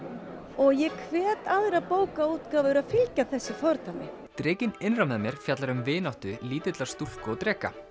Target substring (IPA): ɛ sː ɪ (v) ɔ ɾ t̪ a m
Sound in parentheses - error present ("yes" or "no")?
yes